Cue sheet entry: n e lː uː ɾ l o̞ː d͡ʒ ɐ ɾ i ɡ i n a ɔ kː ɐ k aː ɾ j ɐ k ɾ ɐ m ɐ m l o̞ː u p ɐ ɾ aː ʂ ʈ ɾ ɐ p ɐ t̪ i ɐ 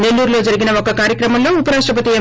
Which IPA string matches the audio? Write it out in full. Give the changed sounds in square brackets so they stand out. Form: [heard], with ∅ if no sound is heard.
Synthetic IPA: n e lː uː ɾ l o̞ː d͡ʒ ɐ ɾ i ɡ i n [ɐ] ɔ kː ɐ k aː ɾ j ɐ k ɾ ɐ m ɐ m l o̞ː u p ɐ ɾ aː ʂ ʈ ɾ ɐ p ɐ t̪ i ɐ